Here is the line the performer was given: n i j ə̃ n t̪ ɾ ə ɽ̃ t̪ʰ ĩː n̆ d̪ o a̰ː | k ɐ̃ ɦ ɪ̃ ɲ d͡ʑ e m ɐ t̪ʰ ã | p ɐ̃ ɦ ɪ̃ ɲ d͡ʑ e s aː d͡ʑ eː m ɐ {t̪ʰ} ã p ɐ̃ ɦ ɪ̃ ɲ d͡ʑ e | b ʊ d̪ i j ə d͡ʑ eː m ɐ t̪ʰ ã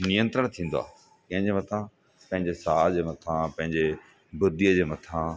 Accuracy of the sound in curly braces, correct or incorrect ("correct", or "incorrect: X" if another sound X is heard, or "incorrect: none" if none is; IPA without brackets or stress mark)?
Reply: correct